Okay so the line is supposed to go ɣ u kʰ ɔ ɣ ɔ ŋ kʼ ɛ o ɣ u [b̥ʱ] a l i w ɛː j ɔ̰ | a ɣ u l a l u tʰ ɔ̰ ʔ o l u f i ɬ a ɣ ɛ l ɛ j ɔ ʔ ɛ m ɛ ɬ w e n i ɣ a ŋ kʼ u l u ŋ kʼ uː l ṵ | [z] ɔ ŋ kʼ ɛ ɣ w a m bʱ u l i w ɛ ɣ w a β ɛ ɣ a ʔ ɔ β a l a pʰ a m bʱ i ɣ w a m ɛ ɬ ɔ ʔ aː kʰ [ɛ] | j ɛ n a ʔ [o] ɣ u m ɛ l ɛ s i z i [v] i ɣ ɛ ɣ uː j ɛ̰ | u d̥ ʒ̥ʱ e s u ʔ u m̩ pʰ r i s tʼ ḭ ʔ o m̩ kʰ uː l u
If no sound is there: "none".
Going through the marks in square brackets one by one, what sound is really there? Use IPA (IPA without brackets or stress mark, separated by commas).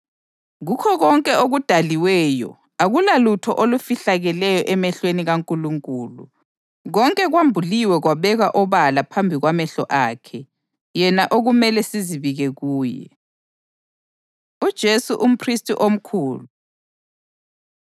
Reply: d̥ʱ, ɣ, ɛ, o, β